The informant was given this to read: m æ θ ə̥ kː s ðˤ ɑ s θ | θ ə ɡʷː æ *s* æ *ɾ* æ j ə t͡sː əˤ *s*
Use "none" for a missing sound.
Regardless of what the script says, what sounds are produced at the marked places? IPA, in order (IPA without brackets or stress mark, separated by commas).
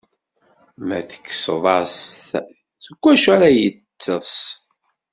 ʃ, ɾ, s